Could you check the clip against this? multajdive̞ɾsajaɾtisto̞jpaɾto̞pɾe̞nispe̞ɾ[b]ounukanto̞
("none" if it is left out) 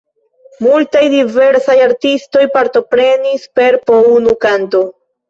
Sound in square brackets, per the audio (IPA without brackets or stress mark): p